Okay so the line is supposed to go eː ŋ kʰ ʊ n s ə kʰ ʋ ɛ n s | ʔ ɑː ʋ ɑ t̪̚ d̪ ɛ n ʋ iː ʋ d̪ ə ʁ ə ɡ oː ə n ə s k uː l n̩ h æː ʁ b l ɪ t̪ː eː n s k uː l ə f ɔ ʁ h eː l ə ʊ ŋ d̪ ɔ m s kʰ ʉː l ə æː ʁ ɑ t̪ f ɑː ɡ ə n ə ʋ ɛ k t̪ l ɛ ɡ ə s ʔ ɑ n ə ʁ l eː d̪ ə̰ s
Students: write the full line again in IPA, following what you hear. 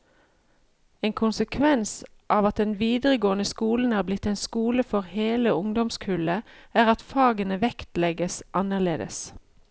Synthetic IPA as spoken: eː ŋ kʰ ʊ n s ə kʰ ʋ ɛ n s | ʔ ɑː ʋ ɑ t̪̚ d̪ ɛ n ʋ iː d̪ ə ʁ ə ɡ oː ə n ə s k uː l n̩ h æː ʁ b l ɪ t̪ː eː n s k uː l ə f ɔ ʁ h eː l ə ʊ ŋ d̪ ɔ m s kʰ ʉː l ə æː ʁ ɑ t̪ f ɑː ɡ ə n ə ʋ ɛ k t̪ l ɛ ɡ ə s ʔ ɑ n ə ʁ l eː d̪ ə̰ s